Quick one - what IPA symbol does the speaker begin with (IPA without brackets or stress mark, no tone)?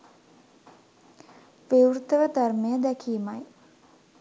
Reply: ʋ